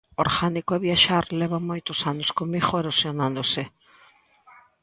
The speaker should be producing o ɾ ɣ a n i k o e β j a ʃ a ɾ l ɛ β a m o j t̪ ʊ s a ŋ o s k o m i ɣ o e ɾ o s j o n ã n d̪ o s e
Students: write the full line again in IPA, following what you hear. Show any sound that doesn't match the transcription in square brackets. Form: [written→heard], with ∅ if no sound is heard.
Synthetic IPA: o ɾ ɣ a n i k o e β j a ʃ a ɾ l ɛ β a m o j t̪ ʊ s a [ŋ→n] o s k o m i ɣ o e ɾ o s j o n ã n d̪ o s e